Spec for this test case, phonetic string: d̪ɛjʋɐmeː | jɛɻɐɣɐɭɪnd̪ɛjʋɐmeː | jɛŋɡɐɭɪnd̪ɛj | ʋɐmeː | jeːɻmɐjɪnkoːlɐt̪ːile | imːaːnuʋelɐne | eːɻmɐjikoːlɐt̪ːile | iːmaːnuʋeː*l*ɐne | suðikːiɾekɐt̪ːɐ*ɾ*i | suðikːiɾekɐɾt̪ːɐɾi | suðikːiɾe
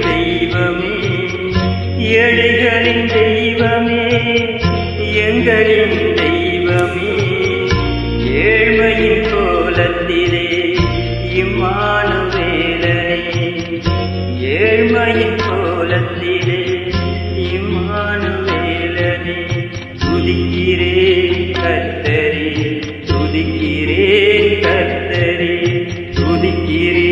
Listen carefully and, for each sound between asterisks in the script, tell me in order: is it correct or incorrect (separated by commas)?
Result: correct, correct